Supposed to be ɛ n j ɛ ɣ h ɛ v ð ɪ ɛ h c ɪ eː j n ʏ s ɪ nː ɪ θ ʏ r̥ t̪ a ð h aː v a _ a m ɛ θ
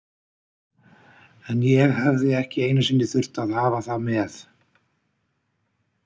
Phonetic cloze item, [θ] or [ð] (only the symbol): θ